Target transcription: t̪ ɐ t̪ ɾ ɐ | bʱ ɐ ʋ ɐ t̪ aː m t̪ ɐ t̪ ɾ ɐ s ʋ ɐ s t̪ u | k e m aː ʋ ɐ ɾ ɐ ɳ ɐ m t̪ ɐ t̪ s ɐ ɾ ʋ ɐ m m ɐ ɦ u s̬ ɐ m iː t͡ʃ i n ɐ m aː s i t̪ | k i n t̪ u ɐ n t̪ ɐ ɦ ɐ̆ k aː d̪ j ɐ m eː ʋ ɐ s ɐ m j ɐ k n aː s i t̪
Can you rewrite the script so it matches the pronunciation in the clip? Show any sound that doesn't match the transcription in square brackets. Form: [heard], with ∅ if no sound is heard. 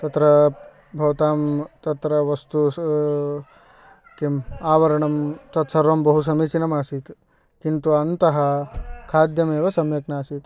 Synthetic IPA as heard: t̪ ɐ t̪ ɾ ɐ | bʱ ɐ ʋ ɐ t̪ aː m t̪ ɐ t̪ ɾ ɐ [∅] ʋ ɐ s t̪ u | k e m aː ʋ ɐ ɾ ɐ ɳ ɐ m t̪ ɐ t̪ s ɐ ɾ ʋ ɐ m [b] ɐ ɦ u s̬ ɐ m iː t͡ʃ i n ɐ m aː s i t̪ | k i n t̪ u ɐ n t̪ ɐ ɦ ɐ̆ [kʰ] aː d̪ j ɐ m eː ʋ ɐ s ɐ m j ɐ k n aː s i t̪